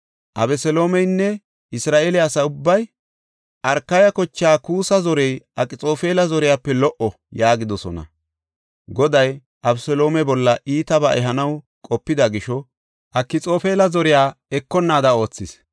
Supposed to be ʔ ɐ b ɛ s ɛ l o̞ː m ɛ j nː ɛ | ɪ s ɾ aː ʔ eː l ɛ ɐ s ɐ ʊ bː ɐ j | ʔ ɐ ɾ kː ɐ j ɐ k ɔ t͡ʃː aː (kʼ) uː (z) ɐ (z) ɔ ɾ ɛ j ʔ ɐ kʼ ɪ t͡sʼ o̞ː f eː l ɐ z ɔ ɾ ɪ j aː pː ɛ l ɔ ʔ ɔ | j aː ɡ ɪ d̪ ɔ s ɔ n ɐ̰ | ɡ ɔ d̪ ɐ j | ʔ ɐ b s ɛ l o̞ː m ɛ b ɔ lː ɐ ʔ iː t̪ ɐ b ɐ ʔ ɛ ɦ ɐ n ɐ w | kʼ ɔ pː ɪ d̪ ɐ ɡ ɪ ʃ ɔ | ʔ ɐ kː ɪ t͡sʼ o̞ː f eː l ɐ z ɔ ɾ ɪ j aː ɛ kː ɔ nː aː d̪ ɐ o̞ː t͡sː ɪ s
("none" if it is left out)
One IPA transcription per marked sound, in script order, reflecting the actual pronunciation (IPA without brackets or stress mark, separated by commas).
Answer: k, s, z